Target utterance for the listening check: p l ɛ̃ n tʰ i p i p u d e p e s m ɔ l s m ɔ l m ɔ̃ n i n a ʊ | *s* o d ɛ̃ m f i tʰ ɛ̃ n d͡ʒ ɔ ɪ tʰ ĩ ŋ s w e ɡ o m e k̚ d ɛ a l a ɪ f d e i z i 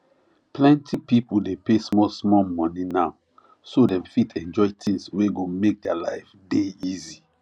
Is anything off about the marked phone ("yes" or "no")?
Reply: no